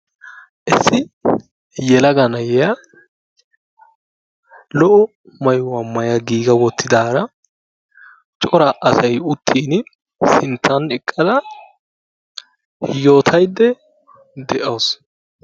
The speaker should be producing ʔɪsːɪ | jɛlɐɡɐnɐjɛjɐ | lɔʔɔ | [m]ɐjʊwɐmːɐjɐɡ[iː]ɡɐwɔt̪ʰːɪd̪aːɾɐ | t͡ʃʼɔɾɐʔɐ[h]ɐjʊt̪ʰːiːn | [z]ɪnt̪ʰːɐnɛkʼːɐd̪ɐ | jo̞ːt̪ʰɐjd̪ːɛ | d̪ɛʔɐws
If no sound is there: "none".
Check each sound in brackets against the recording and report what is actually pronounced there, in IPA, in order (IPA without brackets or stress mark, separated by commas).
m, iː, s, s